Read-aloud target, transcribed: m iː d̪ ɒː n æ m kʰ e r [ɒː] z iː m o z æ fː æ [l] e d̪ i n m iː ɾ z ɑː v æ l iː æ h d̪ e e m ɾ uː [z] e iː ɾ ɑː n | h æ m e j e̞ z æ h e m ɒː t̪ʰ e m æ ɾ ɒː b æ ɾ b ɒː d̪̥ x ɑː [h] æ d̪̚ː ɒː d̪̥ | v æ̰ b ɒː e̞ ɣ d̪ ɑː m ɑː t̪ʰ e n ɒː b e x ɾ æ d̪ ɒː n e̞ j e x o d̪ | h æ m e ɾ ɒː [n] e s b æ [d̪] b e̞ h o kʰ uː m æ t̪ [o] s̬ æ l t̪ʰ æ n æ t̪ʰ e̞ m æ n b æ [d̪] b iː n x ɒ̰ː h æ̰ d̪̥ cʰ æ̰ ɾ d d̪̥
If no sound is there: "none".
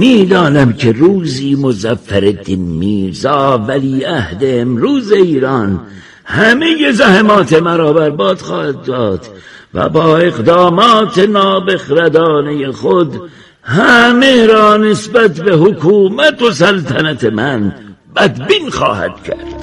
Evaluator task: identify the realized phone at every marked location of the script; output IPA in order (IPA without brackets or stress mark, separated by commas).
uː, ɾ, z, h, n, t̪, o, d̪